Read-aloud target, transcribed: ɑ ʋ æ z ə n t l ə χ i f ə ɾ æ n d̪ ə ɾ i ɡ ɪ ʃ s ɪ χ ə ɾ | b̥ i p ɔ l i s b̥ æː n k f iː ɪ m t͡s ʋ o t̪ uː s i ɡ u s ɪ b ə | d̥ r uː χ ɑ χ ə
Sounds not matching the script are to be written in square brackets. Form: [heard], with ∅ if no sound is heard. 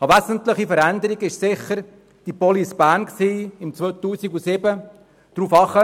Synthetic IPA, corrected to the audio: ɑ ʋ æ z ə n t l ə χ i f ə ɾ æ n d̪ ə ɾ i ɡ ɪ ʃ s ɪ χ ə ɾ | [d̥] i p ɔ l i s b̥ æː n k [s] iː ɪ m t͡s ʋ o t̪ uː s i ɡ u s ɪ b ə | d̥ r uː [f] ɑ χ ə

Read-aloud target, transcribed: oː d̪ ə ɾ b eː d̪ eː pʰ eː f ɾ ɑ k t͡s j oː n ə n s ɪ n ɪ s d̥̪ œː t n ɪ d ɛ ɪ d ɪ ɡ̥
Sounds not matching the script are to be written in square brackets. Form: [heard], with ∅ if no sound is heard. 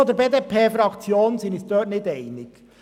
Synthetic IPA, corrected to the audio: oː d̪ ə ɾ b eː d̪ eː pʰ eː f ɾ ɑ k t͡s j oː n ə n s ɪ n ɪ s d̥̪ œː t n ɪ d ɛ ɪ [n] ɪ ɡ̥

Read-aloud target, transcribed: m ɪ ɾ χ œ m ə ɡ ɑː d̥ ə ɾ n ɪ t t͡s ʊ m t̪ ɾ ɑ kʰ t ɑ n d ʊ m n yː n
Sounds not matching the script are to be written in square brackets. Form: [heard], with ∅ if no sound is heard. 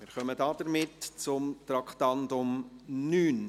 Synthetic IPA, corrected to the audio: m ɪ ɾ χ œ m ə [d] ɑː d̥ ə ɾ [m] ɪ t t͡s ʊ m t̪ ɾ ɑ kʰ t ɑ n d ʊ m n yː n

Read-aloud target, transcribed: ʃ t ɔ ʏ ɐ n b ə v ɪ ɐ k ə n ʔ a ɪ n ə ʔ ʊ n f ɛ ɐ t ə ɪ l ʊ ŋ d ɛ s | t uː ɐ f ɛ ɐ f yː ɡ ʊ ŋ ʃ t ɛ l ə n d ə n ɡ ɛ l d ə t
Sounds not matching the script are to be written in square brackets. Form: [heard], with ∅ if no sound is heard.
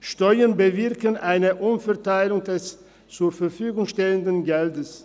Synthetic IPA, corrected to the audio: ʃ t ɔ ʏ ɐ n b ə v ɪ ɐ k ə n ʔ a ɪ n ə ʔ ʊ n f ɛ ɐ t [a] ɪ l ʊ ŋ d ɛ s | [t͡s] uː ɐ f ɛ ɐ f yː ɡ ʊ ŋ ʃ t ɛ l ə n d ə n ɡ ɛ l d ə [s]

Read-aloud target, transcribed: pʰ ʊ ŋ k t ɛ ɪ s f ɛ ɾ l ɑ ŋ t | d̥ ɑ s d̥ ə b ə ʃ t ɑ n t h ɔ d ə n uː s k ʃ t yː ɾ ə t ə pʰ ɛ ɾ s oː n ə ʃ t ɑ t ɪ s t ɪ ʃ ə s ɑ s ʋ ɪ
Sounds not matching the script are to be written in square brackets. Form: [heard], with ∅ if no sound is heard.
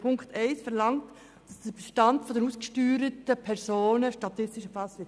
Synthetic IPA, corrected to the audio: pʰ ʊ ŋ k t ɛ ɪ s f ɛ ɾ l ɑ ŋ t | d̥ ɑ s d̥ ə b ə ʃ t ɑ n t [f] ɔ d ə n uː s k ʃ t yː ɾ ə t ə pʰ ɛ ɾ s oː n ə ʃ t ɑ t ɪ s t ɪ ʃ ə [f] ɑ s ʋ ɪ

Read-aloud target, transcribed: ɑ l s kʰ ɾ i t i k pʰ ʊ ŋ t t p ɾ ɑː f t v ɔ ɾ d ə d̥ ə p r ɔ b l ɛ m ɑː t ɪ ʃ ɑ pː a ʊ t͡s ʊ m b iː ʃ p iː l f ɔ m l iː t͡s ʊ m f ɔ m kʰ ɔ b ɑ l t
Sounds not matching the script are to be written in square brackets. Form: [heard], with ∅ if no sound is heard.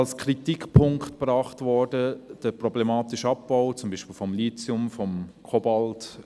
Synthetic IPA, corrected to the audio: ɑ l s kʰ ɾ i t i k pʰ ʊ ŋ [k] t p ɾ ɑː [χ] t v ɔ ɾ d ə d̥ ə p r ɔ b l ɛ m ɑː t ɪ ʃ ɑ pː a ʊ t͡s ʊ m b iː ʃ p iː l f ɔ m l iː t͡s ʊ m f ɔ m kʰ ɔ b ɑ l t

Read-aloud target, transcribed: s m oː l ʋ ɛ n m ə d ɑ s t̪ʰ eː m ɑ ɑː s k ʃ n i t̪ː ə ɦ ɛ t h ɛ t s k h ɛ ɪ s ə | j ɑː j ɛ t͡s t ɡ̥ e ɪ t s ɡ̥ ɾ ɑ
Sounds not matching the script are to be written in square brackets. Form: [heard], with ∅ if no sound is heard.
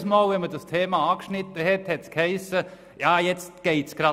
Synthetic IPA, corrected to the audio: s m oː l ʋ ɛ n m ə d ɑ s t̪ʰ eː m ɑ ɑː [∅] k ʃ n [ɪ] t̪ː ə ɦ ɛ t h ɛ t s k h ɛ ɪ s ə | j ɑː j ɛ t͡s t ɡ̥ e ɪ t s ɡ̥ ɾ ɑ

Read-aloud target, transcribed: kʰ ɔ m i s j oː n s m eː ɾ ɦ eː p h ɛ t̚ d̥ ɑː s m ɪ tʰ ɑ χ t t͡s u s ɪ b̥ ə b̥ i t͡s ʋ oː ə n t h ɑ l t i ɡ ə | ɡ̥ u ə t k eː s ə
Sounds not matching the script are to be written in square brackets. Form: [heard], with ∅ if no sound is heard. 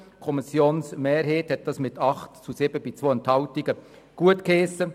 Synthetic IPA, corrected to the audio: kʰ ɔ m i s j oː n s m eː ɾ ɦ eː [t] h ɛ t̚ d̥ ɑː s m ɪ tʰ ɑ χ t t͡s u s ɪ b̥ ə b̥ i t͡s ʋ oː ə n t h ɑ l t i ɡ ə | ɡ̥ u ə t k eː s ə

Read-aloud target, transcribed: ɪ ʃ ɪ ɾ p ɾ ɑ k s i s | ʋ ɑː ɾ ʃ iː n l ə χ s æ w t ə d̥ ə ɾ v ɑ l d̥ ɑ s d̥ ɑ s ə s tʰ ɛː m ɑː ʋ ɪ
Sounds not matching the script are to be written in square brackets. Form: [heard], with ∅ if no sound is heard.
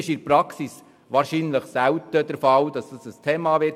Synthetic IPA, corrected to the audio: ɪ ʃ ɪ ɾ p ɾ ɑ k s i s | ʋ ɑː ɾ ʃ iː n l ə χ s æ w t ə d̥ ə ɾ [f] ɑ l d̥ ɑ s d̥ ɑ s ə s tʰ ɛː m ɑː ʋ ɪ

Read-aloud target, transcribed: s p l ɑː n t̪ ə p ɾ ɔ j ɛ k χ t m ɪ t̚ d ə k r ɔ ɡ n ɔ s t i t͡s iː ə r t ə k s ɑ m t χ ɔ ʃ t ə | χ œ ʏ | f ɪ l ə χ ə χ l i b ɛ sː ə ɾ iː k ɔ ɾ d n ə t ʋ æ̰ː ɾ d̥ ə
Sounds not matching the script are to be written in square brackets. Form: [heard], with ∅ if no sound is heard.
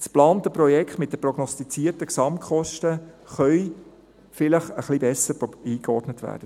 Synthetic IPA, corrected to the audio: s p l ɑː n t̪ ə p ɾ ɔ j ɛ k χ t m ɪ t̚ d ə [p] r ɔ ɡ n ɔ s t i t͡s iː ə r t ə k s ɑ m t χ ɔ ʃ t ə | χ œ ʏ | f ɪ l ə χ ə χ l i b ɛ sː ə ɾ iː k ɔ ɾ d n ə t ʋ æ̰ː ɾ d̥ ə

